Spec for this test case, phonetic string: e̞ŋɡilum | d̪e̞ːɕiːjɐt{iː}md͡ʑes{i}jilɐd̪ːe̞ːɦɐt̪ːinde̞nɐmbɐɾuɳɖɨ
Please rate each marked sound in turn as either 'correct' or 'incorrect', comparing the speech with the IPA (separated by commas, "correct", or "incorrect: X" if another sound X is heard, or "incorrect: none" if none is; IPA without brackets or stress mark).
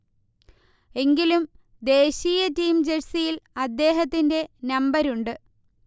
correct, correct